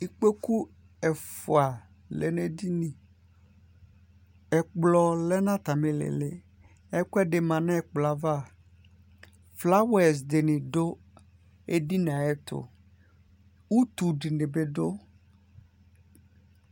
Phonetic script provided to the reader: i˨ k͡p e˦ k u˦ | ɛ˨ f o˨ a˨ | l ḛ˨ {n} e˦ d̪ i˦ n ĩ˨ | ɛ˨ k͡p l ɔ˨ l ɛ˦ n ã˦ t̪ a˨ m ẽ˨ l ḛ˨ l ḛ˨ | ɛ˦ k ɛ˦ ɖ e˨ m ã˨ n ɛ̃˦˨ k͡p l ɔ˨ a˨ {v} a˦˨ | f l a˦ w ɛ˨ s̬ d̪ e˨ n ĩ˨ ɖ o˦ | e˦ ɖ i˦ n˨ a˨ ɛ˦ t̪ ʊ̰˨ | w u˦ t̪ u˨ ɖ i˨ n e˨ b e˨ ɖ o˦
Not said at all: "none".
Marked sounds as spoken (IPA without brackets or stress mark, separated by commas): n, v